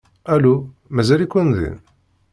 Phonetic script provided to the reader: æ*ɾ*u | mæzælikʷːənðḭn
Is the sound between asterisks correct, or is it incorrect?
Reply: incorrect